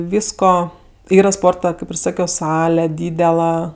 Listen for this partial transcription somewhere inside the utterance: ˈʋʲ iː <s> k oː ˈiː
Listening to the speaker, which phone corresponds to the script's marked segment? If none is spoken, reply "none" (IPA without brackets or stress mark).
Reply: s